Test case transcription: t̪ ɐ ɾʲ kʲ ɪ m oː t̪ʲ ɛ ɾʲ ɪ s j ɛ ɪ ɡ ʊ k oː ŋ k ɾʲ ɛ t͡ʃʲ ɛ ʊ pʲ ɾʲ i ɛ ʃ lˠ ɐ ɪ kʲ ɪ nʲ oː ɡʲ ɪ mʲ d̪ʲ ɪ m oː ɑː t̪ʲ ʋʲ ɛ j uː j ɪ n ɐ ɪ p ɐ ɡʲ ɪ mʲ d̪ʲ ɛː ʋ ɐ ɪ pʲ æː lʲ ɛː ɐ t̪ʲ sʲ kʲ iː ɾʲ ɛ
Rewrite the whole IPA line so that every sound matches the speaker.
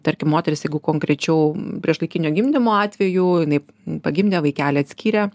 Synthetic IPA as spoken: t̪ ɐ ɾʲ kʲ ɪ m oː t̪ʲ ɛ ɾʲ ɪ s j ɛ ɪ ɡ ʊ k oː ŋ k ɾʲ ɛ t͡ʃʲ ɛ ʊ pʲ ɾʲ i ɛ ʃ lˠ ɐ ɪ kʲ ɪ nʲ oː ɡʲ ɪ mʲ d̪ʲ ɪ m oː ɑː t̪ʲ ʋʲ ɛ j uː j ɪ n ɐ ɪ p ɐ ɡʲ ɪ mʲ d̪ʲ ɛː ʋ ɐ ɪ kʲ æː lʲ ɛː ɐ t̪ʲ sʲ kʲ iː ɾʲ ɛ